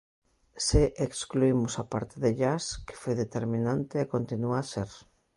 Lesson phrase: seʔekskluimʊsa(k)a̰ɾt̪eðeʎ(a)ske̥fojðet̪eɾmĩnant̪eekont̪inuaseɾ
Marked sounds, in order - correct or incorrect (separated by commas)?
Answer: incorrect, correct